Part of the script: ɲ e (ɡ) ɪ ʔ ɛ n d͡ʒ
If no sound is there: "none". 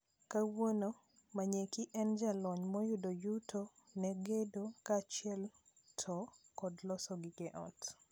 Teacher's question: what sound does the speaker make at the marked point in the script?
k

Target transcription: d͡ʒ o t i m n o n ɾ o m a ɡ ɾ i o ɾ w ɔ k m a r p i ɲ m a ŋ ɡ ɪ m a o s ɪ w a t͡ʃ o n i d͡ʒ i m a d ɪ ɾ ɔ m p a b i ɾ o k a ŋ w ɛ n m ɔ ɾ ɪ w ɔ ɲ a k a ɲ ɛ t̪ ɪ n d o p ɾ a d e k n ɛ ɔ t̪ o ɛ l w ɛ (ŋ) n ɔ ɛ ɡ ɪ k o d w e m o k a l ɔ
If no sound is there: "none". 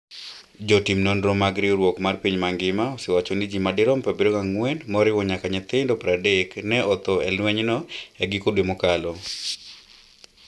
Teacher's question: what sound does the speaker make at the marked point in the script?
ɲ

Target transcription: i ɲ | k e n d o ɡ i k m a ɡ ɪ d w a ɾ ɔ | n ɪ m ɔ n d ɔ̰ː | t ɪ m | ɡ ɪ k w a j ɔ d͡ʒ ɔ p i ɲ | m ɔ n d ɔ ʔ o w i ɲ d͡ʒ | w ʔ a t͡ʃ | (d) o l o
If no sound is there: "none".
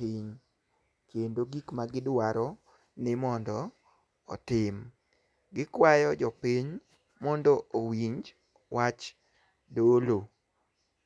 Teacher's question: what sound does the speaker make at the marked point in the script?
d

